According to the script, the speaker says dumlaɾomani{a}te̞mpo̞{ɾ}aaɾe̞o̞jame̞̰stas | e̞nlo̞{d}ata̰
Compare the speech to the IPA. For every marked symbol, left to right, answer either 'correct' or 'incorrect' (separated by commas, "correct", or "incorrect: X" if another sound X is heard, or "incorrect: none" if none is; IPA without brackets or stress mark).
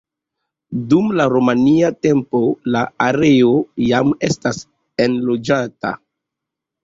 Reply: correct, incorrect: l, incorrect: d͡ʒ